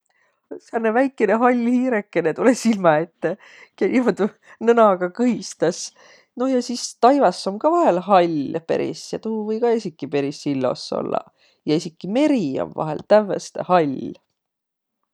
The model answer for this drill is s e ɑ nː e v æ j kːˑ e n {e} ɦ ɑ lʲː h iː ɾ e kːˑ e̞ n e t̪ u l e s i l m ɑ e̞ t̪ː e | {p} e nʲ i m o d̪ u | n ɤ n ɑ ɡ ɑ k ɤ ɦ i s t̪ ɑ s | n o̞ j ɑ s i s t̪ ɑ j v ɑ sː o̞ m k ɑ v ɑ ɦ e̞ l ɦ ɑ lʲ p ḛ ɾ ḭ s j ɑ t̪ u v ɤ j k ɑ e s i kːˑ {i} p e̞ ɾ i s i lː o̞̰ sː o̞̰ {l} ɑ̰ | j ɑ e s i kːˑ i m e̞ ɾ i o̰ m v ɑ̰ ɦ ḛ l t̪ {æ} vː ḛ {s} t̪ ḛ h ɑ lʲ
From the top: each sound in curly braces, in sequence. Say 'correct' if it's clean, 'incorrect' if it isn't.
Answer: correct, incorrect: k, correct, incorrect: lː, correct, correct

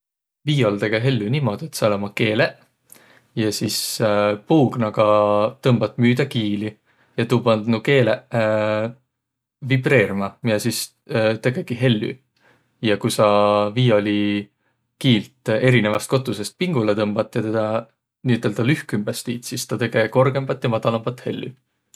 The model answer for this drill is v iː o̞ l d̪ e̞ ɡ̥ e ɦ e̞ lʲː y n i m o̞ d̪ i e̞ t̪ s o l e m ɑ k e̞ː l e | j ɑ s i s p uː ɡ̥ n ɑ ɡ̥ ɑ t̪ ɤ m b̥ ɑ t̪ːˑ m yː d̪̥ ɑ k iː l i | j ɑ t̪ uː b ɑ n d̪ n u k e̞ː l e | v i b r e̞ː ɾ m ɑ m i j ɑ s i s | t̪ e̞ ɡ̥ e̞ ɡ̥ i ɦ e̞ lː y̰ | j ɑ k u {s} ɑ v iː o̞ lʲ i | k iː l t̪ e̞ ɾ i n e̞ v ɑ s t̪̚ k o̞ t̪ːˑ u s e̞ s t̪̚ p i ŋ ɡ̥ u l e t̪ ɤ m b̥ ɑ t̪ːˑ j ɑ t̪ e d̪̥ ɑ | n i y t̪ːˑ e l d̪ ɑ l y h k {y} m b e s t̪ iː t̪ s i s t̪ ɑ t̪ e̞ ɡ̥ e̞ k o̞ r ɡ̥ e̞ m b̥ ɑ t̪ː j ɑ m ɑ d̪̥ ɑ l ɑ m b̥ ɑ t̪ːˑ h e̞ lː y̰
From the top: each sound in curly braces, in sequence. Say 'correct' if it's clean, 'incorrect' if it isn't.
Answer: correct, correct

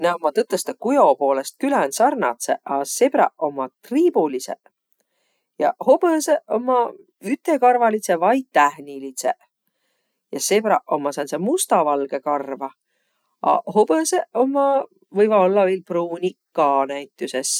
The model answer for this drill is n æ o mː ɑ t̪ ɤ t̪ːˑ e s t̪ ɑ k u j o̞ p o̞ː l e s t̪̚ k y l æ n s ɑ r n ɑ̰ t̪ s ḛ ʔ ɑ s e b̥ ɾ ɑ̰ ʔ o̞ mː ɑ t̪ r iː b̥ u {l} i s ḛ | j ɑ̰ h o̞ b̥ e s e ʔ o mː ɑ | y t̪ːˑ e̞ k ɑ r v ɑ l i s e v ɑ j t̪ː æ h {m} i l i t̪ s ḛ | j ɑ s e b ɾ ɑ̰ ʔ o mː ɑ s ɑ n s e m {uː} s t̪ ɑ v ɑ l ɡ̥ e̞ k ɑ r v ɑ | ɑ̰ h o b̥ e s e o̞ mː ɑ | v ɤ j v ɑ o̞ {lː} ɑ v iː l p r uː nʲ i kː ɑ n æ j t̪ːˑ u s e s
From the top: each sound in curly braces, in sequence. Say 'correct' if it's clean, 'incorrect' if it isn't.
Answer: correct, incorrect: n, incorrect: u, correct

